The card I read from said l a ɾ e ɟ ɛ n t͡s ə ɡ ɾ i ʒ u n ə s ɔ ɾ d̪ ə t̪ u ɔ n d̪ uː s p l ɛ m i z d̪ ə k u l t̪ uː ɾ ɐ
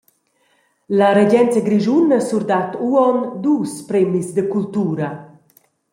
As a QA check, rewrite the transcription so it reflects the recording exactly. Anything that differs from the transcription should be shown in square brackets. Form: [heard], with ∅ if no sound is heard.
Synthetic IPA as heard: l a ɾ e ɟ ɛ n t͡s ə ɡ ɾ i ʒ u n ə s [u] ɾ d̪ [a] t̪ u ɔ n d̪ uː s p [ɾ] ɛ m i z d̪ ə k u l t̪ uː ɾ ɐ